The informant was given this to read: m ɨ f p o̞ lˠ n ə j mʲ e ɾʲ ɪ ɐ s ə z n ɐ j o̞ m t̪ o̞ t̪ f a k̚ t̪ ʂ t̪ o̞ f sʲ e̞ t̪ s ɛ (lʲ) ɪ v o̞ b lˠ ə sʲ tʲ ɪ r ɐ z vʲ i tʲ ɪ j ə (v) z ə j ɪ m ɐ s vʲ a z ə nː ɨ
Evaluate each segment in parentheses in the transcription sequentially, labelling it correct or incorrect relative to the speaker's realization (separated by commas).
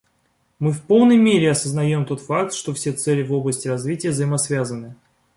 correct, correct